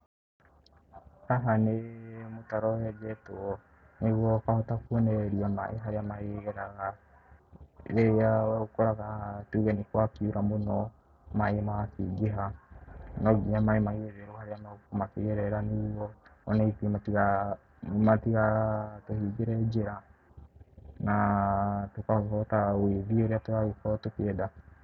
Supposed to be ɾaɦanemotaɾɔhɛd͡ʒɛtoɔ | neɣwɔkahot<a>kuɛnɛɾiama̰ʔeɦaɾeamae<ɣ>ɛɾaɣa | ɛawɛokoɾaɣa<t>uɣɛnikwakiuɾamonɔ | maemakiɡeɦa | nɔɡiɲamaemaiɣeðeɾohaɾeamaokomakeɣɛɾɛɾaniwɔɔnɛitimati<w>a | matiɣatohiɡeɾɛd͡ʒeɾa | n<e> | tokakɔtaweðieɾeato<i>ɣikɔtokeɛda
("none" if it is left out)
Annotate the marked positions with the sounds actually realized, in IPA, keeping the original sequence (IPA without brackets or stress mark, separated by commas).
a, ɣ, t, ɣ, a, a